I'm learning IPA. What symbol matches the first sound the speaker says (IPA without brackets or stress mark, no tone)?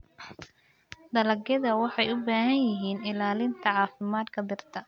d̪